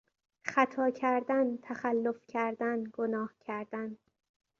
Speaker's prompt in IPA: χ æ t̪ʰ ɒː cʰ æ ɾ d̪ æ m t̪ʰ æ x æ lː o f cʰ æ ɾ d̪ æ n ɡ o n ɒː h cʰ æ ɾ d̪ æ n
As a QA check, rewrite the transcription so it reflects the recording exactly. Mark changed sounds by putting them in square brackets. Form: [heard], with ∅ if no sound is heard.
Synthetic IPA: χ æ t̪ʰ ɒː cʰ æ ɾ d̪ æ [n] t̪ʰ æ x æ lː o f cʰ æ ɾ d̪ æ n ɡ o n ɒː h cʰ æ ɾ d̪ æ n